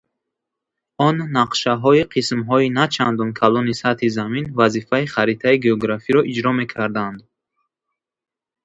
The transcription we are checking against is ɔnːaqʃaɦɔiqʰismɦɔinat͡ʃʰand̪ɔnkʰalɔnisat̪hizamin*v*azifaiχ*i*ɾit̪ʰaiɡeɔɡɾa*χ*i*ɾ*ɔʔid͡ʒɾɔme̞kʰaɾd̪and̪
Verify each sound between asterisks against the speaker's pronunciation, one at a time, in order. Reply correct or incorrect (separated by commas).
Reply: correct, incorrect, incorrect, correct